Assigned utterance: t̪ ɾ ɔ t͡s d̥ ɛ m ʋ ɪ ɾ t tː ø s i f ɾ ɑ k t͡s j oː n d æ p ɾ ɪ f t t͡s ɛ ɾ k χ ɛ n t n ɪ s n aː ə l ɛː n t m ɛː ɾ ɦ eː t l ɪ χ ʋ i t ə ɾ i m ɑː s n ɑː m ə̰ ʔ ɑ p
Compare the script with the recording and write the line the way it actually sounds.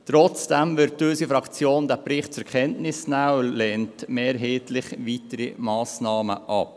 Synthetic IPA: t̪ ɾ ɔ t͡s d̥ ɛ m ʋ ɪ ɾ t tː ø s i f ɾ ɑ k t͡s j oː n d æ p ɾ ɪ χ t t͡s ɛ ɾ k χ ɛ n t n ɪ s n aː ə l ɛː n t m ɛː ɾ ɦ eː t l ɪ χ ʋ i t ə ɾ i m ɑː s n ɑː m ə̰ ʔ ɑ p